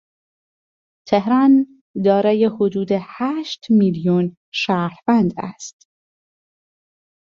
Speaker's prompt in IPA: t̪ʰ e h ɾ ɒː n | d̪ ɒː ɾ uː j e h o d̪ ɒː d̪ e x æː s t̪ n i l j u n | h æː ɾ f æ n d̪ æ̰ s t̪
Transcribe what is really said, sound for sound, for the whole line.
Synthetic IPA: t̪ʰ e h ɾ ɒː n | d̪ ɒː ɾ ɒː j e h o d̪ uː d̪ e h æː ʃ t̪ m i l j u n | ʃ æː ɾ v æ n d̪ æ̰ s t̪